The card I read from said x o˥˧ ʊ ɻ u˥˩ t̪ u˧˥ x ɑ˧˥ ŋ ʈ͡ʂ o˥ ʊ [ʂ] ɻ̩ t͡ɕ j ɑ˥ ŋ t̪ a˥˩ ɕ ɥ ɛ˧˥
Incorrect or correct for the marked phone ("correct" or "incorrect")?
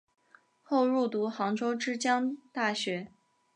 incorrect